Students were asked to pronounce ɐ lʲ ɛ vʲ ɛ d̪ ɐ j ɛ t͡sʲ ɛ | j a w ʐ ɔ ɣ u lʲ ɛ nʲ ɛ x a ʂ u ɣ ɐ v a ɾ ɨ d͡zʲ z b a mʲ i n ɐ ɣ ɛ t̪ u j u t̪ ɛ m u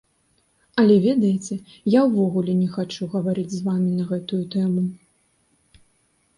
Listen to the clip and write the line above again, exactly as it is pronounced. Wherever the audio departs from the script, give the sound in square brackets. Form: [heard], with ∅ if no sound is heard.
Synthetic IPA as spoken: ɐ lʲ ɛ vʲ ɛ d̪ ɐ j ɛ t͡sʲ ɛ | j a w [v] ɔ ɣ u lʲ ɛ nʲ ɛ x a [t͡ʂ] u ɣ ɐ v a ɾ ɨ d͡zʲ z [v] a mʲ i n ɐ ɣ ɛ t̪ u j u t̪ ɛ m u